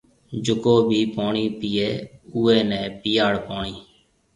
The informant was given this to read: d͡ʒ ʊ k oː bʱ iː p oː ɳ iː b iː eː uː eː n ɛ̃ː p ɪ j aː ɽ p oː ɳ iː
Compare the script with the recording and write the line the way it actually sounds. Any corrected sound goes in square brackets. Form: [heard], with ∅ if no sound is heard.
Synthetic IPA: d͡ʒ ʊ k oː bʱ iː p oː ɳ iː [p] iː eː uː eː n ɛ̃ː p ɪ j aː ɽ p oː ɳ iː